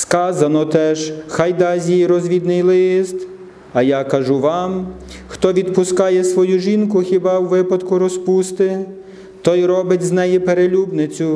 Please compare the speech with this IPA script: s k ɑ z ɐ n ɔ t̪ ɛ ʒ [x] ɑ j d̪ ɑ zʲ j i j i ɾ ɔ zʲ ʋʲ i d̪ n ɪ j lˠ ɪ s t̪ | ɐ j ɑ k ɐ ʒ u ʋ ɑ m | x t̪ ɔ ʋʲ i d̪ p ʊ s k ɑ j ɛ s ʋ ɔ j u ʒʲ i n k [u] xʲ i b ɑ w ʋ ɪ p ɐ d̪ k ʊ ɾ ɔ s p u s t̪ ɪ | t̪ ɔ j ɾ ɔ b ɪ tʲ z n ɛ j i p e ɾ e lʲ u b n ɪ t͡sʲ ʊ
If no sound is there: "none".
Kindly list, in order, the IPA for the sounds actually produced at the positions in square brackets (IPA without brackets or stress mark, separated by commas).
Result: x, ʊ